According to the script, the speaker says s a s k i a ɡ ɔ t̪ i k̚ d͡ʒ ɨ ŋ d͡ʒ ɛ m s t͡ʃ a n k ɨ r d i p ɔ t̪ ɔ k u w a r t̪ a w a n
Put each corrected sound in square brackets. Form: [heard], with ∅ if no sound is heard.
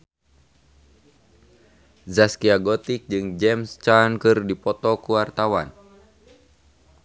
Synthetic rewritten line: [z] a s k i a ɡ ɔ t̪ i k̚ d͡ʒ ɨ ŋ d͡ʒ ɛ m s t͡ʃ a n k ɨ r d i p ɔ t̪ ɔ k u w a r t̪ a w a n